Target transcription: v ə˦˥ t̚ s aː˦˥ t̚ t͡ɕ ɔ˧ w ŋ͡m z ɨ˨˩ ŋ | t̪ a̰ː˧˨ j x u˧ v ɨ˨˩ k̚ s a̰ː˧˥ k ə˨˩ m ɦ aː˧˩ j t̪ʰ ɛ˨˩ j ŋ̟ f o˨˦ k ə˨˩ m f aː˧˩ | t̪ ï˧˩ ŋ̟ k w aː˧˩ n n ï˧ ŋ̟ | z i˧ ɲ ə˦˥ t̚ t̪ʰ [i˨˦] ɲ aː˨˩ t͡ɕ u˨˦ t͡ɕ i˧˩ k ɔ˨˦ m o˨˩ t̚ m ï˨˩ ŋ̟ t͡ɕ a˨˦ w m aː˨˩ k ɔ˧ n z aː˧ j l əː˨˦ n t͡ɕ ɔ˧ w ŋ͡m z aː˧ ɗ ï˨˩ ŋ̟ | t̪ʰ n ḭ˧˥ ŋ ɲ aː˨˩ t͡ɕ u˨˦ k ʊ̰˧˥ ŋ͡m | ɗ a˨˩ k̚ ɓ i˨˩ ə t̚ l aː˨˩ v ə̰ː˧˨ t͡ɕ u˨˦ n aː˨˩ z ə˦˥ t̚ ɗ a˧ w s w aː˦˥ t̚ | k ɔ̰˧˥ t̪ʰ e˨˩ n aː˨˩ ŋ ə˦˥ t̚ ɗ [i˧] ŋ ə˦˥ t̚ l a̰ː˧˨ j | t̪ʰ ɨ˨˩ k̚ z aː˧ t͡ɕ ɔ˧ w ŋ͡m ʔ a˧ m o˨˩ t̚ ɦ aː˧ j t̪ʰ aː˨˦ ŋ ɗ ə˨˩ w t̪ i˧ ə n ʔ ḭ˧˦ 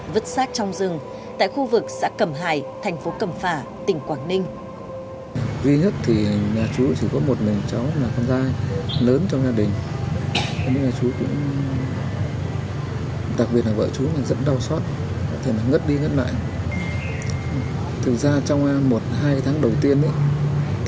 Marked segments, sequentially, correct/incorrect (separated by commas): incorrect, correct